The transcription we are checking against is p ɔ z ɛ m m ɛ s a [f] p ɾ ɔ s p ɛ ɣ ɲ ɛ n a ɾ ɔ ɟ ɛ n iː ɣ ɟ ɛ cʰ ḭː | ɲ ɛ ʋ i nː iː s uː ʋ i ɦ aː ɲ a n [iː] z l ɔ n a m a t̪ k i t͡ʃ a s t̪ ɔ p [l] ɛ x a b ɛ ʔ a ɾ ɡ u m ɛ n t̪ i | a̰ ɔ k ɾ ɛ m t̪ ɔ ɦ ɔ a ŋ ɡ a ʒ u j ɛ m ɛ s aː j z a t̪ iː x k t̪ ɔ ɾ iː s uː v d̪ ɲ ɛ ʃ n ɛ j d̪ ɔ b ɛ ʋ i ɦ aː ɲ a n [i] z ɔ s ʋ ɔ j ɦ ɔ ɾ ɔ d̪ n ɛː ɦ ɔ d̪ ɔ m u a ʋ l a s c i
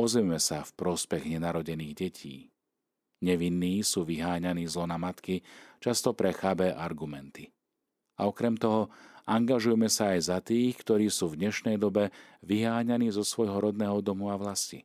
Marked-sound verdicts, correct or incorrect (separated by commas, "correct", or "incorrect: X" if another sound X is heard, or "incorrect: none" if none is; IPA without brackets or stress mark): correct, correct, incorrect: ɾ, incorrect: iː